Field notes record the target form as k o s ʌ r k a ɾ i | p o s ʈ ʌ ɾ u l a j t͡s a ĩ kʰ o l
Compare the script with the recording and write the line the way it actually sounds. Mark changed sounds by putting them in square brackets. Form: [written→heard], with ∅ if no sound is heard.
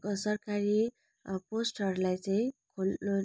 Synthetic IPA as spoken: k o s ʌ r k a ɾ i | p o s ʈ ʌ ɾ u l a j t͡s a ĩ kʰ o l